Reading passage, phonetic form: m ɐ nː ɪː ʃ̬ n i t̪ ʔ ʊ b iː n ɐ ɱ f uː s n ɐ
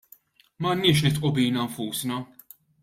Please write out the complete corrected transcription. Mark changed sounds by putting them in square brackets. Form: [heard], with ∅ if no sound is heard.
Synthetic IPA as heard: m ɐ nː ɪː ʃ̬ n [ɪ] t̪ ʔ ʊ b iː n ɐ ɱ f uː s n ɐ